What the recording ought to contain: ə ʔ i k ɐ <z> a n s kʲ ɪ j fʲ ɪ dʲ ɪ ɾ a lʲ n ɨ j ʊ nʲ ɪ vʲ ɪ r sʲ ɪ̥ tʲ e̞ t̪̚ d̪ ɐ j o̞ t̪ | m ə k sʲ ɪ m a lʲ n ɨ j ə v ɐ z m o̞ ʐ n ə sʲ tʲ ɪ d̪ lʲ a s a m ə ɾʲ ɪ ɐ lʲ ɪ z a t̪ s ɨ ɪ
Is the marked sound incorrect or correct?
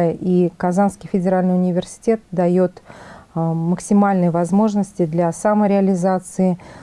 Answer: correct